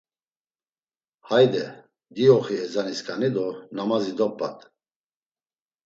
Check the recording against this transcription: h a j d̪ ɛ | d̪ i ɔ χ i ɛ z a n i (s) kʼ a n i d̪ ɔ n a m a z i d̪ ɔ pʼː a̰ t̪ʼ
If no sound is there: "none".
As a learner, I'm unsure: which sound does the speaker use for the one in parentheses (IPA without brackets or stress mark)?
s